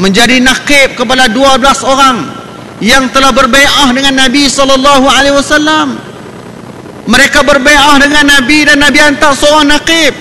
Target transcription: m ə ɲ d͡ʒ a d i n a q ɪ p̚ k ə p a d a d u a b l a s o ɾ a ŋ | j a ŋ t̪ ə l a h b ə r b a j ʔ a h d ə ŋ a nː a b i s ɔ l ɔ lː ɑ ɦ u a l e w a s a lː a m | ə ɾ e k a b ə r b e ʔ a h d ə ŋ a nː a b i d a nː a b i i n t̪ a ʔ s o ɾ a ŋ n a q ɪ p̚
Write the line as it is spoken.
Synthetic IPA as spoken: m ə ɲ d͡ʒ a d i n a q ɪ p̚ k ə p a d a d u a b l a s o ɾ a ŋ | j a ŋ t̪ ə l a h b ə r b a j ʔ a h d ə ŋ a nː a b i s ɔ l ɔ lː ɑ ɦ u a l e w a s a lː a m | ə ɾ e k a b ə r b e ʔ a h d ə ŋ a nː a b i d a nː a b i a n t̪ a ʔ s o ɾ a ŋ n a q ɪ p̚